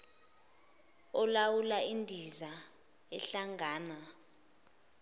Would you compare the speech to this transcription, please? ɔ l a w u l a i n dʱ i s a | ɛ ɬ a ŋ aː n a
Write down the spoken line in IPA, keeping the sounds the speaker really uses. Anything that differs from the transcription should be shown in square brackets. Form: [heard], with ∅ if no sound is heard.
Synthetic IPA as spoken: ɔ l a w u l a i n dʱ i [z] a | ɛ ɬ a ŋ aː n a